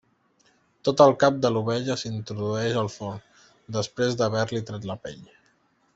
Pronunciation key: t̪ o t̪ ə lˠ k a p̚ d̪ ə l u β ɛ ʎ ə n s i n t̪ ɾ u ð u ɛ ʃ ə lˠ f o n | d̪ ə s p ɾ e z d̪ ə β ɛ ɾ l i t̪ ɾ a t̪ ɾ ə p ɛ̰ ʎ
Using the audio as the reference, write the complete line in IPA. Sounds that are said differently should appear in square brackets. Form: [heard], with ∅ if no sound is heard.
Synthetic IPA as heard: t̪ o t̪ ə lˠ k a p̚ d̪ ə l u β ɛ ʎ ə [∅] s i n t̪ ɾ u ð u ɛ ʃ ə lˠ f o n | d̪ ə s p ɾ e z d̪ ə β ɛ ɾ l i t̪ ɾ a t̪ [l] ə p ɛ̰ ʎ